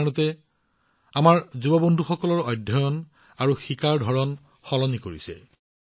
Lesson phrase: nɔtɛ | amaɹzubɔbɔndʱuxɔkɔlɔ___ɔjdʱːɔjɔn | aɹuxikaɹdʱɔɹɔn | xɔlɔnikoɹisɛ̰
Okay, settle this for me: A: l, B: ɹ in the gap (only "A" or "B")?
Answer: B